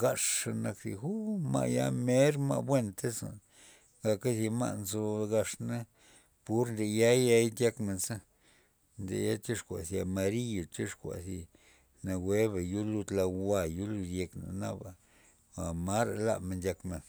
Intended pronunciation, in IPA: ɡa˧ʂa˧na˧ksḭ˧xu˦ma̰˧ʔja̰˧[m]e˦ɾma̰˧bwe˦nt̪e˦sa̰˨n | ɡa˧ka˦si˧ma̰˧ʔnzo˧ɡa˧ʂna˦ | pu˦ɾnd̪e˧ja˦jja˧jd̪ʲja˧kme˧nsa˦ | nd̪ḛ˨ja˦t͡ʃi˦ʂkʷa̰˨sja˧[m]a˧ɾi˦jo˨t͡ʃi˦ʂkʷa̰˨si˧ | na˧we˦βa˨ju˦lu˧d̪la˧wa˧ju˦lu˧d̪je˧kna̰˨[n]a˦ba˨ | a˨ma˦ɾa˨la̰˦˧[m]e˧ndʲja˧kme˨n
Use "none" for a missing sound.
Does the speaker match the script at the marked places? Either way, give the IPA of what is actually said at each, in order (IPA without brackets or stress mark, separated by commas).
m, m, n, m